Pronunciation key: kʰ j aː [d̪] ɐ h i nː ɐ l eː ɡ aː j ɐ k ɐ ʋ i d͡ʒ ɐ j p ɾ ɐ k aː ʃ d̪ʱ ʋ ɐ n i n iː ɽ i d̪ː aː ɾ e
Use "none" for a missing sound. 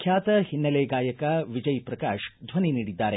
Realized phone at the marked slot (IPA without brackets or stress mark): t̪